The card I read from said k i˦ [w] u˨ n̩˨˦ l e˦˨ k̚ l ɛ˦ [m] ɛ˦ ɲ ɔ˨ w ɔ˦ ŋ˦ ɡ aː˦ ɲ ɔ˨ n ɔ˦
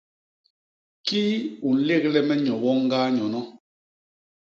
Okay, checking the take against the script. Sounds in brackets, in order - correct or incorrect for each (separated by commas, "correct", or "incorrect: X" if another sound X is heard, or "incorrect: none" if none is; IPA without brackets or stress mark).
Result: incorrect: none, correct